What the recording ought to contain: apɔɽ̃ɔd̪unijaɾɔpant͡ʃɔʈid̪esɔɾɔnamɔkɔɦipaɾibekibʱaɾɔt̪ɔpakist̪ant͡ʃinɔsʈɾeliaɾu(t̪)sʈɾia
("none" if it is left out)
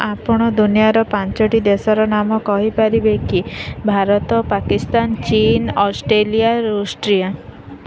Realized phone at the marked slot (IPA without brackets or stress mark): none